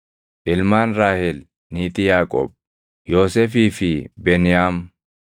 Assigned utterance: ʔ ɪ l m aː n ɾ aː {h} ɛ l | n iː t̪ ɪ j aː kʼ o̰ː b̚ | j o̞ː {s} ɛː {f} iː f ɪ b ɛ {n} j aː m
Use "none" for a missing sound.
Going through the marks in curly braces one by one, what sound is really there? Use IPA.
h, s, f, n

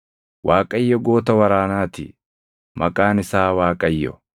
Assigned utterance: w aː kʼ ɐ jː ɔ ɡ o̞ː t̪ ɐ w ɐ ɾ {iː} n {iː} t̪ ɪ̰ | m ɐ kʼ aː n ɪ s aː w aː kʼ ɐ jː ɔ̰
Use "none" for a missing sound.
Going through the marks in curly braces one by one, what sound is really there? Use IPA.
aː, aː

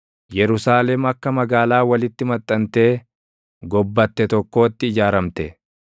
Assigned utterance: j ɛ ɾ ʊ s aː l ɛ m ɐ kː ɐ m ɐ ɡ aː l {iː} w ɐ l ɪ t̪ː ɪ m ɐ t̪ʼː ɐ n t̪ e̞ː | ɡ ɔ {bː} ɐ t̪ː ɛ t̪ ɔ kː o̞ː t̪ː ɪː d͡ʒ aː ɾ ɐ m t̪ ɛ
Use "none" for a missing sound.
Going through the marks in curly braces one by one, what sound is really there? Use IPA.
aː, bː

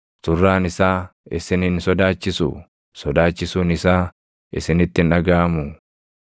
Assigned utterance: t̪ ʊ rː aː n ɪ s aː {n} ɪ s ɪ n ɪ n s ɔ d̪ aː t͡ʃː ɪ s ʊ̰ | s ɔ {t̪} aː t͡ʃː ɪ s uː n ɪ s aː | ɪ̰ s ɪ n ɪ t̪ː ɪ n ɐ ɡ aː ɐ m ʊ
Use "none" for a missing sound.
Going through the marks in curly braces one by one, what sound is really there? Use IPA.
none, d̪

